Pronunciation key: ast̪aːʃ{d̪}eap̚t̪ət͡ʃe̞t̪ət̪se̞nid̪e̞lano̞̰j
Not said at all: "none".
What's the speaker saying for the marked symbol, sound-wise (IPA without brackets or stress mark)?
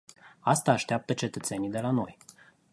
t̪